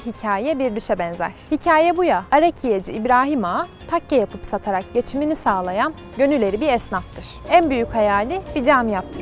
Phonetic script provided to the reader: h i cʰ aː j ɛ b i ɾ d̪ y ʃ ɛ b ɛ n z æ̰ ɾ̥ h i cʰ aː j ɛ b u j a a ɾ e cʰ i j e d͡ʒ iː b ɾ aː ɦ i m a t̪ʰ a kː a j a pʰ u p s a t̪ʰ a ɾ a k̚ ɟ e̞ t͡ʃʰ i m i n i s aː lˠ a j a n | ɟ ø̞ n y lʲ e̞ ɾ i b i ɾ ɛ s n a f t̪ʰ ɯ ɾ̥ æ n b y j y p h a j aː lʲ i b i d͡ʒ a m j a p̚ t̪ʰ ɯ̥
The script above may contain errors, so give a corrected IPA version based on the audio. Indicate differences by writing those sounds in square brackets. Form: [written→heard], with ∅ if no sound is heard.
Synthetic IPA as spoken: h i cʰ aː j ɛ b i ɾ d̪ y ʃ ɛ b ɛ n z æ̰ ɾ̥ h i cʰ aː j ɛ b u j a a ɾ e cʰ i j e d͡ʒ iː b ɾ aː ɦ i m a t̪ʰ a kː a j a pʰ [u→ɯ] p s a t̪ʰ a ɾ a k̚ ɟ e̞ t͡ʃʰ i m i n i s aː lˠ a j a n | ɟ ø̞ n y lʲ e̞ ɾ i b i ɾ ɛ s n a f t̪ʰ ɯ ɾ̥ æ n b y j y [p→c] h a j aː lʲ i b i d͡ʒ a m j a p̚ t̪ʰ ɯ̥